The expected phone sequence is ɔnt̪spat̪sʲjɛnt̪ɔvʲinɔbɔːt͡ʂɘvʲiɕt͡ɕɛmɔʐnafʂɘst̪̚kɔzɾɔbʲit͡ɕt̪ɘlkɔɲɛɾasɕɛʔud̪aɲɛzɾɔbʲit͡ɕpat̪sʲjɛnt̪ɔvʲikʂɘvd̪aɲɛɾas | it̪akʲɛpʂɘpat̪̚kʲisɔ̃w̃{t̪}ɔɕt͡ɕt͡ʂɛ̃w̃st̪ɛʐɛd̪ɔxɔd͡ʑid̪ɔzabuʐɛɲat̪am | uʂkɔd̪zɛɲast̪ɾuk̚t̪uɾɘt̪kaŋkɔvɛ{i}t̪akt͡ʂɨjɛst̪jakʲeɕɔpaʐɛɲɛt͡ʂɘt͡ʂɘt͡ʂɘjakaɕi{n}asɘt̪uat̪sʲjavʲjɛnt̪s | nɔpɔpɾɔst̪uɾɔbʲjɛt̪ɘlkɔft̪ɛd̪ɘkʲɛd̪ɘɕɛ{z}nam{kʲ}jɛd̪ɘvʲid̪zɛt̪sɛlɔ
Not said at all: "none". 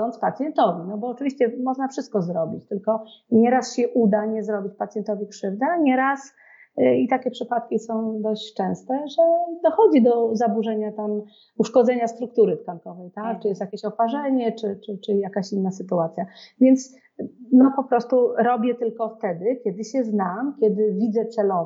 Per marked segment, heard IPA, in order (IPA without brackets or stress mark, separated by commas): d̪, j, nː, z, kʲ